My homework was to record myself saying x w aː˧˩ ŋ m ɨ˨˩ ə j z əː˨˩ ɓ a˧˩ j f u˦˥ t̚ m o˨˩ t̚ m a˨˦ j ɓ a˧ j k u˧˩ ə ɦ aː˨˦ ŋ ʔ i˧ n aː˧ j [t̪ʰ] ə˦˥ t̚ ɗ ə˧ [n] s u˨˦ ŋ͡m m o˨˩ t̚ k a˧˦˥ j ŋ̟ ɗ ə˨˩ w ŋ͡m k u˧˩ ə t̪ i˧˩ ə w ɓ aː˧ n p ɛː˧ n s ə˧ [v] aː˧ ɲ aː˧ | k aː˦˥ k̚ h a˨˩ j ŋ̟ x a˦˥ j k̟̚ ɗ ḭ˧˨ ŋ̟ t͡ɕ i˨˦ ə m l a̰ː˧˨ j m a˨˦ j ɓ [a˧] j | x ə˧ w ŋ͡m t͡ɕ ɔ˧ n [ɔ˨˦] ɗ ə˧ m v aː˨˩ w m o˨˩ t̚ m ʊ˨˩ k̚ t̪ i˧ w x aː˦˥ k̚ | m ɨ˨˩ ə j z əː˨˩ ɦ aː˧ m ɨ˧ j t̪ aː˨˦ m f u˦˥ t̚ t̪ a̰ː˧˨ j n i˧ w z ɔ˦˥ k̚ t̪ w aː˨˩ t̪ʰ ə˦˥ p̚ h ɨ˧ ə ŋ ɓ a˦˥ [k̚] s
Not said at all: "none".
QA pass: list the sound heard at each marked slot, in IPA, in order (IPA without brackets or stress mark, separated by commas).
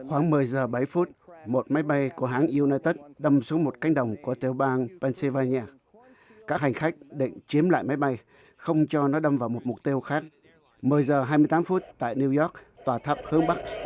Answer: t̪, m, v, a˧, ɔ˨˦, k̚